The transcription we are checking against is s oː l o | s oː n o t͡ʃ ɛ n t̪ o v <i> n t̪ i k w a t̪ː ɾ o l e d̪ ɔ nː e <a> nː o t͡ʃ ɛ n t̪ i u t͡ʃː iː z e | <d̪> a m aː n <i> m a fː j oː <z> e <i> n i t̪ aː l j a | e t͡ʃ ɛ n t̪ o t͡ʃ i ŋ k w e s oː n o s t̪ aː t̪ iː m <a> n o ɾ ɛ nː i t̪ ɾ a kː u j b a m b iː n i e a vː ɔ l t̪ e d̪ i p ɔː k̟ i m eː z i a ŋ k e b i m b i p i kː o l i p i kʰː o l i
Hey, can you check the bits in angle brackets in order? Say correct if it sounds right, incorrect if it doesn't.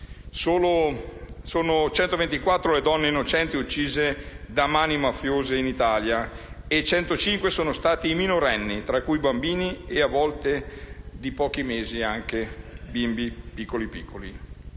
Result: incorrect: e, incorrect: i, correct, correct, correct, correct, incorrect: i

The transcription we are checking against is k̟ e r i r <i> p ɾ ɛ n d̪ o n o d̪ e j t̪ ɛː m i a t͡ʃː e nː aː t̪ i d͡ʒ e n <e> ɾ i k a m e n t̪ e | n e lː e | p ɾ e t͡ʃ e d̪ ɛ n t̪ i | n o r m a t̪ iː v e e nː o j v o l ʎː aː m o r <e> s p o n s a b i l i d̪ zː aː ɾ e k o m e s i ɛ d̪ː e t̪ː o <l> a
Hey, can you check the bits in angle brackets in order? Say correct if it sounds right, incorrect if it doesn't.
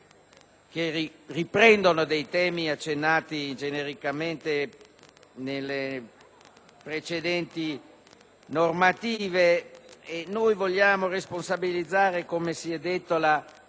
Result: correct, correct, correct, correct

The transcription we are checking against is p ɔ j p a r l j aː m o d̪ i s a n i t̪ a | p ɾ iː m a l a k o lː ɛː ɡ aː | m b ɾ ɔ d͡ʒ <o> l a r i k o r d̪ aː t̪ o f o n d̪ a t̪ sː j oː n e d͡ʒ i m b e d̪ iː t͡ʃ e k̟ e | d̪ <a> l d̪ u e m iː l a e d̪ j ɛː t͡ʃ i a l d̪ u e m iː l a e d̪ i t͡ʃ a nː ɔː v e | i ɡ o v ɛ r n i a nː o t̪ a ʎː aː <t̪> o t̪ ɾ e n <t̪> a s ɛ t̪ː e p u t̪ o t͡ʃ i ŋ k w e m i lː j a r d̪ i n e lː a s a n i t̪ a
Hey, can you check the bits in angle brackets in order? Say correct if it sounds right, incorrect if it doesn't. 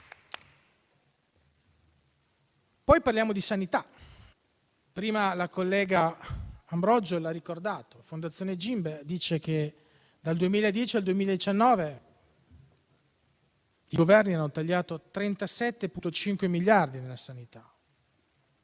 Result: correct, correct, correct, correct

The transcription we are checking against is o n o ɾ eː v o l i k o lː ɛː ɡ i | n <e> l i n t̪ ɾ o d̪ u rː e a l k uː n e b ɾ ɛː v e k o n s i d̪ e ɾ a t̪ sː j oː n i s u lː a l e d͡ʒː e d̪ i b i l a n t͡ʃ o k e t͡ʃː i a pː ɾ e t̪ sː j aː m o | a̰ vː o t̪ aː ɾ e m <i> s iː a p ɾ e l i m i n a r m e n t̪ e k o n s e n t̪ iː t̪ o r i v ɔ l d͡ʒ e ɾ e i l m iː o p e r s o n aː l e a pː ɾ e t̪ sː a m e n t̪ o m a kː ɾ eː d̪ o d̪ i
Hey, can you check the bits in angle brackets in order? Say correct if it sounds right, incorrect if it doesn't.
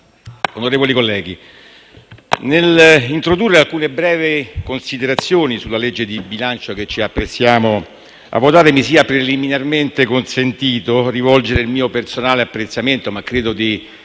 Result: correct, correct

